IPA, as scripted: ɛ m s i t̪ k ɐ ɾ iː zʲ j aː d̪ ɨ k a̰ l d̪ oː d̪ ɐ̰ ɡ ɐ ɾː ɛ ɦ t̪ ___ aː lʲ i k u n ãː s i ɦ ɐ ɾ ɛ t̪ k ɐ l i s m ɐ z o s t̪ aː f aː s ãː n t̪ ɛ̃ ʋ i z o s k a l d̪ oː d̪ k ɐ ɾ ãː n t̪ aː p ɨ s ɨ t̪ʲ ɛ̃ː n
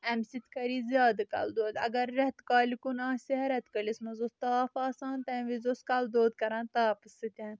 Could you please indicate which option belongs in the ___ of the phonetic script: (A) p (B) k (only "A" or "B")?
B